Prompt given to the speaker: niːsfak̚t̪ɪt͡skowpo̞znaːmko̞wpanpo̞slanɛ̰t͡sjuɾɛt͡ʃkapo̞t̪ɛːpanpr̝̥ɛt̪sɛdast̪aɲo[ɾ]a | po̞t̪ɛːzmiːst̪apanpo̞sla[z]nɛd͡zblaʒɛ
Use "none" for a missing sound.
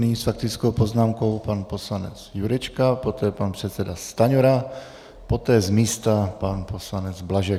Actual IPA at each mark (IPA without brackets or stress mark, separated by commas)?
ɾ, none